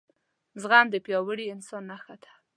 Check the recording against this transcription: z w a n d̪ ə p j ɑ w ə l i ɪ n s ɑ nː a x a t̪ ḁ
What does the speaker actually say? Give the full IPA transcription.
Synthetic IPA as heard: z ɣ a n d̪ ə p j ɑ w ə ɽ i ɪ n s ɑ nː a x a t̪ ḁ